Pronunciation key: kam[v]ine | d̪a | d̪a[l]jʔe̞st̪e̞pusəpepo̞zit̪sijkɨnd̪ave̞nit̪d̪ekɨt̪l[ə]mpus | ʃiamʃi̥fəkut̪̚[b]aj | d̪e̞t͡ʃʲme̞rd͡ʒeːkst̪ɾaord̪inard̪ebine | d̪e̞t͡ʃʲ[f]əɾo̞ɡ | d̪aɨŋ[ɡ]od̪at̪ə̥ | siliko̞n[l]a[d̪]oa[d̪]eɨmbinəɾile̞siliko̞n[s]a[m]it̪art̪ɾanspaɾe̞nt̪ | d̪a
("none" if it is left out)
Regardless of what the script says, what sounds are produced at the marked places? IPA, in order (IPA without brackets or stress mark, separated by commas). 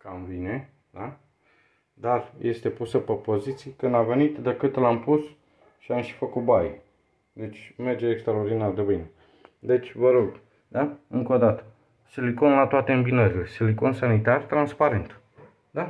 v, r, a, b, v, k, l, t̪, t̪, s, n